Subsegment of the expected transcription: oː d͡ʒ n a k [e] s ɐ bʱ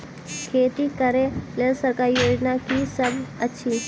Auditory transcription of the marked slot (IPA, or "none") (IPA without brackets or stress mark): i